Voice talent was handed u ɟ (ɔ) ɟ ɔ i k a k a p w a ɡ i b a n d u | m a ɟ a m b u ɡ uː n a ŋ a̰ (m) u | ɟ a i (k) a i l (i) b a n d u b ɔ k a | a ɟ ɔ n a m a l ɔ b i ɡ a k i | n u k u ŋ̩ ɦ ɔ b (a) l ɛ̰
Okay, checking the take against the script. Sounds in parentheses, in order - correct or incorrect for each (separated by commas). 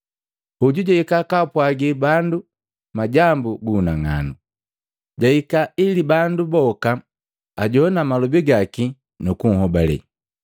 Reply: incorrect, incorrect, correct, correct, correct